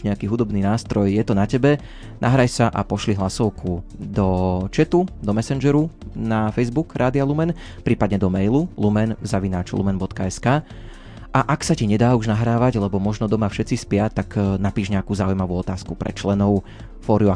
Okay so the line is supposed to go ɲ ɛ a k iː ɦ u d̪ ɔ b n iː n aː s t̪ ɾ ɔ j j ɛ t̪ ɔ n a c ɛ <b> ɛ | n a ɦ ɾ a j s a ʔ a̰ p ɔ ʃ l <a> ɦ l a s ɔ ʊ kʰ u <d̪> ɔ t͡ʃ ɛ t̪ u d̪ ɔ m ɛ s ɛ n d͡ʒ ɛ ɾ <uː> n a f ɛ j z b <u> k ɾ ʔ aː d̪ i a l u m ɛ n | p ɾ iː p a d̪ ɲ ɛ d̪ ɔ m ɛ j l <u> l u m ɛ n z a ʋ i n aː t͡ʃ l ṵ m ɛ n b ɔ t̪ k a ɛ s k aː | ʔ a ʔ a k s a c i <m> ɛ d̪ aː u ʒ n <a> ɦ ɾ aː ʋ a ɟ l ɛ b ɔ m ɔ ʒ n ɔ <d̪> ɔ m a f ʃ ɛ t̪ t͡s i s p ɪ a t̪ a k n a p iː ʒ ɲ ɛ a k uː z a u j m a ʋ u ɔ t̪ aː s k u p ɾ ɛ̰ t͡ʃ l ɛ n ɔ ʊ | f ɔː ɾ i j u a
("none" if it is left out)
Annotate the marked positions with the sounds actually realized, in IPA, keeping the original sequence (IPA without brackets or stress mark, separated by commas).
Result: b, i, d̪, u, u, u, ɲ, a, d̪